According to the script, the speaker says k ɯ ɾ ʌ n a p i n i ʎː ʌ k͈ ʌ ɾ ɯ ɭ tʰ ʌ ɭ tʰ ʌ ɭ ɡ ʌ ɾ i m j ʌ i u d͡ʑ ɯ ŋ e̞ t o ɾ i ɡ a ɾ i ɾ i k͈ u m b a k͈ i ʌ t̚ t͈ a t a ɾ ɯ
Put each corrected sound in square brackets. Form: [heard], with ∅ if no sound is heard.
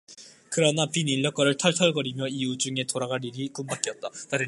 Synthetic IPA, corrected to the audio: k ɯ ɾ ʌ n a p i n i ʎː ʌ k͈ ʌ ɾ ɯ ɭ tʰ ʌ ɭ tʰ ʌ ɭ ɡ ʌ ɾ i m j ʌ i u d͡ʑ [u] ŋ e̞ t o ɾ [a] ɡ a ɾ i ɾ i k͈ u m b a k͈ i ʌ t̚ t͈ a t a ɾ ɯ